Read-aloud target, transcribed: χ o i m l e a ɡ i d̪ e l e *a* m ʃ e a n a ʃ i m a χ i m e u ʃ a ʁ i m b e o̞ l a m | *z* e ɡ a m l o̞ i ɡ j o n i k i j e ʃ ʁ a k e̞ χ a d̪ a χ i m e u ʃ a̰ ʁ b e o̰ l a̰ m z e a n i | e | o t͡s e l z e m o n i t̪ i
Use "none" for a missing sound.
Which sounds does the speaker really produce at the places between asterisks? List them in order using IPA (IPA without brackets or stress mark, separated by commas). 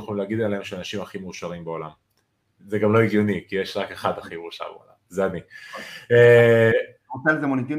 e, z